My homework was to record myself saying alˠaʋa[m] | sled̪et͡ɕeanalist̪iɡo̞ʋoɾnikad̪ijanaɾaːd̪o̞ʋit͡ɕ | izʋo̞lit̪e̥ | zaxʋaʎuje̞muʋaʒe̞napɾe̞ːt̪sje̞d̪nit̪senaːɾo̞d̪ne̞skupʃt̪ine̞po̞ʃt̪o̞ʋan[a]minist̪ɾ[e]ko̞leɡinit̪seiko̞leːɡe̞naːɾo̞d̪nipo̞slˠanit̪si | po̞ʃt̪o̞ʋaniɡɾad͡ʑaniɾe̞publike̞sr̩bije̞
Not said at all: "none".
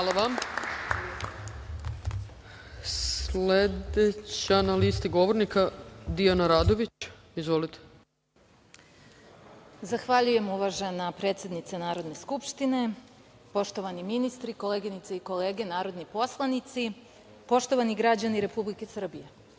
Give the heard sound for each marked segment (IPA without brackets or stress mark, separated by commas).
m, i, i